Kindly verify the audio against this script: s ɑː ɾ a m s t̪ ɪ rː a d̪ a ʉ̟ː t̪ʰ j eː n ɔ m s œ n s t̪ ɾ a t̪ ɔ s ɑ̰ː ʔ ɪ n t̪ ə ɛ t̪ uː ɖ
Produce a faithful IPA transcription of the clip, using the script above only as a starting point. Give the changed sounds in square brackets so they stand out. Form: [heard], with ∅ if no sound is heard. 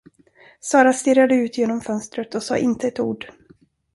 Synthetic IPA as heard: s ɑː ɾ a [∅] s t̪ ɪ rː a d̪ [ə] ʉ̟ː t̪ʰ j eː n ɔ m [f] œ n s t̪ ɾ [ə] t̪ ɔ s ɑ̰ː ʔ ɪ n t̪ ə ɛ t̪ uː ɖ